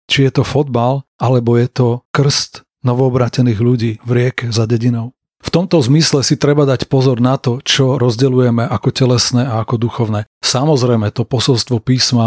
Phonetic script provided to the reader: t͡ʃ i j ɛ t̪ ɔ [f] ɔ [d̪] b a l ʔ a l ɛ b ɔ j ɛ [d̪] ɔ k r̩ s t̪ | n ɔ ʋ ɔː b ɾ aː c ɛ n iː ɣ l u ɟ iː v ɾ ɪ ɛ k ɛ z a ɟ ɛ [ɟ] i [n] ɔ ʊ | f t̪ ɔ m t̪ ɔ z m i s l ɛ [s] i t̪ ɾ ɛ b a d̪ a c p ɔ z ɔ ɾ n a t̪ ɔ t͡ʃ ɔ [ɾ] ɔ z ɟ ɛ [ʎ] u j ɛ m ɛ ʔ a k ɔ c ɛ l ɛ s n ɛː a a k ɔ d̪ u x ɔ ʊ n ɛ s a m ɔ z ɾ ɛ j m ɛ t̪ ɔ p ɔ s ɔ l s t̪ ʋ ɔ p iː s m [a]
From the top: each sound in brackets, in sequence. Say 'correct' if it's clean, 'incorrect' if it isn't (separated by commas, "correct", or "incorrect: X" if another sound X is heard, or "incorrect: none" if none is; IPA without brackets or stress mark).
correct, correct, incorrect: t̪, correct, correct, correct, correct, incorrect: l, correct